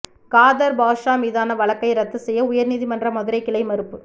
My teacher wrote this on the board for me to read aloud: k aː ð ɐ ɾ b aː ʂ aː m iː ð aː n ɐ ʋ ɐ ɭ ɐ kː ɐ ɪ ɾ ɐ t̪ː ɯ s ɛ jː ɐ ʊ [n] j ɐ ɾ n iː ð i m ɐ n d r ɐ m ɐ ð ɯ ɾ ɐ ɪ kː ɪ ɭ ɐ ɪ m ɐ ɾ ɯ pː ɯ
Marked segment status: incorrect: none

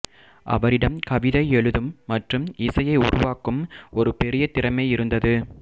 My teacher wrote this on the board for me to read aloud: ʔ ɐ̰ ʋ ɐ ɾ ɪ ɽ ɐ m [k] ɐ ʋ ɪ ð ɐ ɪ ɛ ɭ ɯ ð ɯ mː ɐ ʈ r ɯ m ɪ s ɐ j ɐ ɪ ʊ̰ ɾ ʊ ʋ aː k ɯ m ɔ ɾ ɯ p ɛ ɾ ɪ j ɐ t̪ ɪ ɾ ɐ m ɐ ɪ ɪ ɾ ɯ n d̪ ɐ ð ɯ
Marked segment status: correct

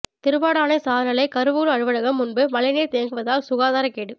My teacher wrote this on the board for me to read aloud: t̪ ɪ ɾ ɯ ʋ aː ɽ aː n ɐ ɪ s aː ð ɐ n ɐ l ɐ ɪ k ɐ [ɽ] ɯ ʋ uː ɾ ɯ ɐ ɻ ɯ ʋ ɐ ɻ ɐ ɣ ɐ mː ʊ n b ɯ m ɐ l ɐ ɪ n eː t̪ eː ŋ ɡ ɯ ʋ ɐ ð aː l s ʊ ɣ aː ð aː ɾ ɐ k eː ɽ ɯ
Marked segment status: incorrect: ɾ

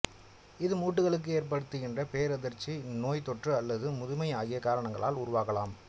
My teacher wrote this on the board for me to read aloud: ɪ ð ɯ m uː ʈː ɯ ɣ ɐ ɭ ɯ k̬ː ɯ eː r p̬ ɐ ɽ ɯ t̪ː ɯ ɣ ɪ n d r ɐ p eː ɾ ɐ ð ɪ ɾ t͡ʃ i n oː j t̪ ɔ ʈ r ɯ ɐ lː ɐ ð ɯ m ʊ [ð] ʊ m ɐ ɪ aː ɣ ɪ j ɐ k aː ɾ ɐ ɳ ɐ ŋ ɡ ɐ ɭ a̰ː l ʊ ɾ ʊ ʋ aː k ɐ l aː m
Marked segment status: correct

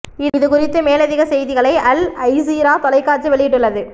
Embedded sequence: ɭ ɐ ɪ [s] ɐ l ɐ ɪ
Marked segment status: incorrect: none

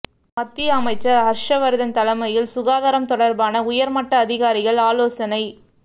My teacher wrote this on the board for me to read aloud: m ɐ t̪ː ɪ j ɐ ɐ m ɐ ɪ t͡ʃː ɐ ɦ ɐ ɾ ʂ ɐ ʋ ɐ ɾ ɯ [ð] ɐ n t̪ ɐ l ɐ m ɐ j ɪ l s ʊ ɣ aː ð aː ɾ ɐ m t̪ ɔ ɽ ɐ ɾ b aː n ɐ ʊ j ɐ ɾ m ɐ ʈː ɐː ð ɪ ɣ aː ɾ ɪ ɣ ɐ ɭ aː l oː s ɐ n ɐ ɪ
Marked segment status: correct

